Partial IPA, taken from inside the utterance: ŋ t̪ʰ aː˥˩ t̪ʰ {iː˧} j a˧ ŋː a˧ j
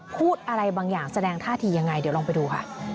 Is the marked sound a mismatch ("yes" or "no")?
no